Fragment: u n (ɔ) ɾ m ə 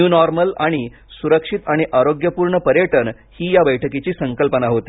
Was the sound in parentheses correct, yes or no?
yes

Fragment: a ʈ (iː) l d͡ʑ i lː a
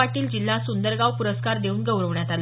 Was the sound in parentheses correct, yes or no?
yes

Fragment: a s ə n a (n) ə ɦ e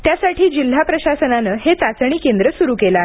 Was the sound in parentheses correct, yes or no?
yes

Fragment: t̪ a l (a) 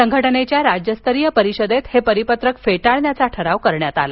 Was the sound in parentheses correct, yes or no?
yes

